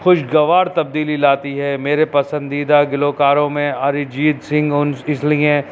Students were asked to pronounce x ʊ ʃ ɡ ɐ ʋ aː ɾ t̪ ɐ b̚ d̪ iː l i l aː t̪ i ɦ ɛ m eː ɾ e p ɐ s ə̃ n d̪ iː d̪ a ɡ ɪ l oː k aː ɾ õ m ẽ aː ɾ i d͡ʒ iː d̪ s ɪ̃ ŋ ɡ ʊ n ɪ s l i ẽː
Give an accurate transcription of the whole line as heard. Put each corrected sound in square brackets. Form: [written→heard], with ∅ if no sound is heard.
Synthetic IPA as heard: x ʊ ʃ ɡ ɐ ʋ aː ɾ t̪ ɐ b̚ d̪ iː l i l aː t̪ i ɦ ɛ m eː ɾ e p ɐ s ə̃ n d̪ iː d̪ a ɡ ɪ l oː k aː ɾ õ m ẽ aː ɾ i d͡ʒ iː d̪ s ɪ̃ ŋ ɡ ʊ n ɪ s l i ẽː